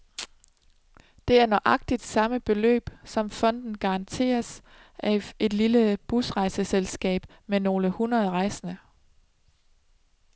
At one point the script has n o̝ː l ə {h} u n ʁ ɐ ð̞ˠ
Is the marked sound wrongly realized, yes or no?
no